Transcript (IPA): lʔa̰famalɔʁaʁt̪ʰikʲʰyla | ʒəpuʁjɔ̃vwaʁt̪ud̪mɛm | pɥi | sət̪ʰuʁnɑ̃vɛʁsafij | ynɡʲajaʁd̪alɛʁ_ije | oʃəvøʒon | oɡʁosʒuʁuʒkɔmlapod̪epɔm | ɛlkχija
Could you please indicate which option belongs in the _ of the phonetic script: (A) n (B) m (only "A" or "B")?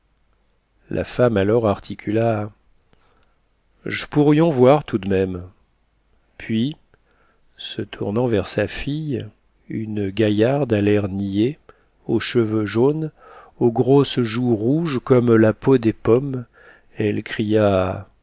A